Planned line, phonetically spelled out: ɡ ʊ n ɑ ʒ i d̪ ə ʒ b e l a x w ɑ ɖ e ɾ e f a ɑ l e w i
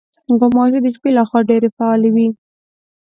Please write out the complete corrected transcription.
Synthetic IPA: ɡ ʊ m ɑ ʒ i d̪ ə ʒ b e l a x w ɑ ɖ e ɾ e f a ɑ l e w i